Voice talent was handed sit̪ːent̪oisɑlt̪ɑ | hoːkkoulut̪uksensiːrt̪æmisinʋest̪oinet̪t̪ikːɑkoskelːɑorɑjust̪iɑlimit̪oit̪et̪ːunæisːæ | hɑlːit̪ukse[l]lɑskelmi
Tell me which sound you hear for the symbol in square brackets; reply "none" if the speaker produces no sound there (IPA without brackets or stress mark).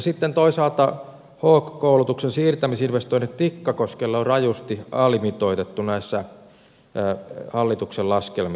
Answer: l